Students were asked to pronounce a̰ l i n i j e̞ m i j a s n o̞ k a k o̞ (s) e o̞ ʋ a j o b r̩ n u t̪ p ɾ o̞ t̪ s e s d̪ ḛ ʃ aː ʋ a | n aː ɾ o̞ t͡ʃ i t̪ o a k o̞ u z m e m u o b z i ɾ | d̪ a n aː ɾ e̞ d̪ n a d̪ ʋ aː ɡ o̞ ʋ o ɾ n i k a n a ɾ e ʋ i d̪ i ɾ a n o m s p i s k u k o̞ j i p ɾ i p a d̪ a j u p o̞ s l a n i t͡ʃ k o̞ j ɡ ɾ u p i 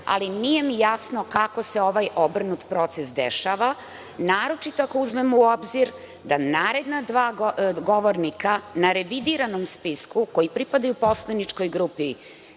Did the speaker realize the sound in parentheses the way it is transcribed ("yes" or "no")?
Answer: yes